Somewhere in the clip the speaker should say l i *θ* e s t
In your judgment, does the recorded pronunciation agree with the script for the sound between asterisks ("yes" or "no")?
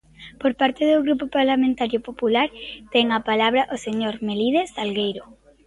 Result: no